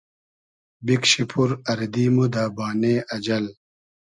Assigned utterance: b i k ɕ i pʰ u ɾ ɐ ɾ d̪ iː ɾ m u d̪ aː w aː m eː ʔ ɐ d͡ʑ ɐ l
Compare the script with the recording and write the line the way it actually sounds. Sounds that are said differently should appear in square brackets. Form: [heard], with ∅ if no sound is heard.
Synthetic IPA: b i k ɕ i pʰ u ɾ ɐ ɾ d̪ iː [∅] m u d̪ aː [b] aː [n] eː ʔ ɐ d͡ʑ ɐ l